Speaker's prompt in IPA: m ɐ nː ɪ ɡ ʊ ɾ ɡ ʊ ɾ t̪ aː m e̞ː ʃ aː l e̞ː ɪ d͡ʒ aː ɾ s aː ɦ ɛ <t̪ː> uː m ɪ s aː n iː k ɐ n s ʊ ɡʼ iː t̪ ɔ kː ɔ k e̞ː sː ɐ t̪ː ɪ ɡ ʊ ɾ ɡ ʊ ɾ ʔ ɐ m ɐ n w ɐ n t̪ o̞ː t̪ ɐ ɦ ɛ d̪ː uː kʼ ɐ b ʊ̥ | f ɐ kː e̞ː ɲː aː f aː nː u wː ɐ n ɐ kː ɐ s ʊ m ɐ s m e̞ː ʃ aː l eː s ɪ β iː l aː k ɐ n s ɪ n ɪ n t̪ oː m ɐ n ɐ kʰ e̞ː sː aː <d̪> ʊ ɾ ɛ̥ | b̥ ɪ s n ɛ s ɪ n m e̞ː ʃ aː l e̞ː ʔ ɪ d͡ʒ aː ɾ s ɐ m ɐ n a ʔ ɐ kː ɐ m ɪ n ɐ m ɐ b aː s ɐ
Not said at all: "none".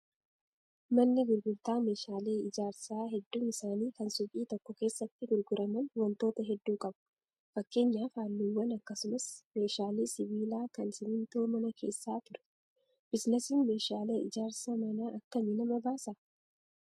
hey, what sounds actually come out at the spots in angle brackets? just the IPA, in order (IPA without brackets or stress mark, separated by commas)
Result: d̪ː, t̪